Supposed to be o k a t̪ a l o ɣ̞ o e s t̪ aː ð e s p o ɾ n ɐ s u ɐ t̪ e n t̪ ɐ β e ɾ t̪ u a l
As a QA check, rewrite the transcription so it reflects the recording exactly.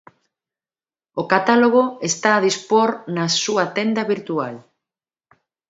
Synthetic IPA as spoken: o k a t̪ a l o ɣ̞ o e s t̪ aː ð i s p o ɾ n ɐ s u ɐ t̪ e n d̪ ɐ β i ɾ t̪ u a l